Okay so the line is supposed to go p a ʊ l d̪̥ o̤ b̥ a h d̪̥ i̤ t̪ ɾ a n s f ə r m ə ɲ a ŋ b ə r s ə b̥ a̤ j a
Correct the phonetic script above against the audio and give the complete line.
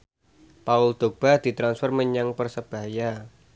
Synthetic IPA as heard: p a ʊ l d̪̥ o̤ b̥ a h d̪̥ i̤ t̪ ɾ a n s f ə r m ə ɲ a ŋ p ə r s ə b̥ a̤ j a